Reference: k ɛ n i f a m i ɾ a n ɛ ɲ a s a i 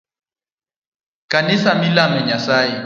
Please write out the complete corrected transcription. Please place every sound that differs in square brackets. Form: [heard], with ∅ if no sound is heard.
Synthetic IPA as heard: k [a] n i [s] a m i [l] a [m] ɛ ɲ a s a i